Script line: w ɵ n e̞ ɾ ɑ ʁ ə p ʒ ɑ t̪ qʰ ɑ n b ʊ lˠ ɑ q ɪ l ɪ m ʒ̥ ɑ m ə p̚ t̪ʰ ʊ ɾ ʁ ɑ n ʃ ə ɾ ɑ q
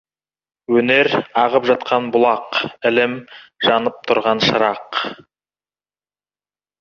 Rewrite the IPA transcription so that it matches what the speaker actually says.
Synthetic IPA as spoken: w ɵ n e̞ ɾ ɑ ʁ ə p ʒ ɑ t̪ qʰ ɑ n b ʊ lˠ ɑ q ɪ l ɪ m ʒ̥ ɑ n ə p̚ t̪ʰ ʊ ɾ ʁ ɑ n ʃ ə ɾ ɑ q